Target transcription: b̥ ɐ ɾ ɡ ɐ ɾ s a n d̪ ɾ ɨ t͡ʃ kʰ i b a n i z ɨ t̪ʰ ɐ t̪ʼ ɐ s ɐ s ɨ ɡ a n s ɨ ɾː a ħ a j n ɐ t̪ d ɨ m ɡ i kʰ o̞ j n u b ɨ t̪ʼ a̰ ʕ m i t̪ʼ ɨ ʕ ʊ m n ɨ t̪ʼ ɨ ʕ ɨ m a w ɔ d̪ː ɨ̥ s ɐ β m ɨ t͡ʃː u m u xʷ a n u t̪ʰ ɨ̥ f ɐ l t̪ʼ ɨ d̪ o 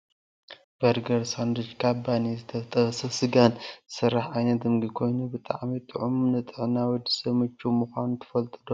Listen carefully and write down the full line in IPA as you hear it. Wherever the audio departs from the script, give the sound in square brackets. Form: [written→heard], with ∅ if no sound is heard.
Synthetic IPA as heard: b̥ ɐ ɾ ɡ ɐ ɾ s a n d̪ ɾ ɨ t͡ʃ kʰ [i→a] b a n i z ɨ t̪ʰ ɐ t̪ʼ ɐ s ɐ s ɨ ɡ a n s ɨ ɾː a ħ a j n ɐ t̪ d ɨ m ɡ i kʰ o̞ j n u b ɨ t̪ʼ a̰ ʕ m i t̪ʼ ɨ ʕ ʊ m n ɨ t̪ʼ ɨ ʕ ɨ [m→n] a w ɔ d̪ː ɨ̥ s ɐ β m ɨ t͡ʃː u m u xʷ a n u t̪ʰ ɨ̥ f ɐ l t̪ʼ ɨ d̪ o

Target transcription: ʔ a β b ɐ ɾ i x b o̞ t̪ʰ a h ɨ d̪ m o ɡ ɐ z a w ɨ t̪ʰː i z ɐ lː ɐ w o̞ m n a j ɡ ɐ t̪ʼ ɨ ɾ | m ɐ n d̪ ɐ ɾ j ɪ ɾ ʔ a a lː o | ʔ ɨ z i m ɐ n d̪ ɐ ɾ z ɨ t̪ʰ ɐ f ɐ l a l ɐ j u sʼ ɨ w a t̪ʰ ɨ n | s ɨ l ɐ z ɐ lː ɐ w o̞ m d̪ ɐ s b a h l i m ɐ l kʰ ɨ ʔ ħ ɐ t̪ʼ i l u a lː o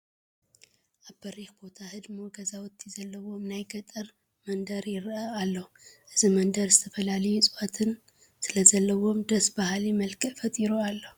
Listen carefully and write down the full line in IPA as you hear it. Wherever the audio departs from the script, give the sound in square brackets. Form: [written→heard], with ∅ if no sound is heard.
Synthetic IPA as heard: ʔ a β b ɐ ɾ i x b o̞ t̪ʰ a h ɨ d̪ m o ɡ ɐ z a w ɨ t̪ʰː i z ɐ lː ɐ w o̞ m n a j ɡ ɐ t̪ʼ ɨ ɾ | m ɐ n d̪ ɐ ɾ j ɪ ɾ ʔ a a lː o | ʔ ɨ z i m ɐ n d̪ ɐ ɾ z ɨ t̪ʰ ɐ f ɐ l a l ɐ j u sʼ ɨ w a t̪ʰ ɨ n | s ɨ l ɐ z ɐ lː ɐ w o̞ m d̪ ɐ s b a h l i m ɐ l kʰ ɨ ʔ [ħ→f] ɐ t̪ʼ i [l→ɾ] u a lː o

